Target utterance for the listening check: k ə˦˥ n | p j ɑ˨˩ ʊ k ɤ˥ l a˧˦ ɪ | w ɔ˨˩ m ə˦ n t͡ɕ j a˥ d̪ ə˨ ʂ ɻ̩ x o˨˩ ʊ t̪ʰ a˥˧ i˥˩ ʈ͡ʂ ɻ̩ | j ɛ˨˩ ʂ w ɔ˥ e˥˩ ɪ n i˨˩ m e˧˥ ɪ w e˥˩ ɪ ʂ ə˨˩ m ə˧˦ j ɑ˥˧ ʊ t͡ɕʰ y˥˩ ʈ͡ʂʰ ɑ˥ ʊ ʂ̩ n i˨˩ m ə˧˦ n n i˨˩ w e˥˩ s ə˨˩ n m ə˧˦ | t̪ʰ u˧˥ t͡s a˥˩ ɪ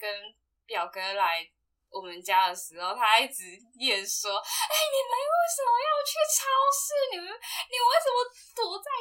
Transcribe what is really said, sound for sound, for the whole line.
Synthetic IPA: k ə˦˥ n | p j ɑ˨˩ ʊ k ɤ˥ l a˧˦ ɪ | w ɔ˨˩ m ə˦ n t͡ɕ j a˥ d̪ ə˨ ʂ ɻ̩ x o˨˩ ʊ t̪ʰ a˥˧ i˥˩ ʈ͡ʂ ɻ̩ | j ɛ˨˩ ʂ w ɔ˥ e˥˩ ɪ n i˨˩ m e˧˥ ɪ w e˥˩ ɪ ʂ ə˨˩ m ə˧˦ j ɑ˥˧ ʊ t͡ɕʰ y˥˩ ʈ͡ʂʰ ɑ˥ ʊ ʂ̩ n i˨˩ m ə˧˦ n n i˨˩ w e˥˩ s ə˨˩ n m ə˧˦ | t̪ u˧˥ t͡s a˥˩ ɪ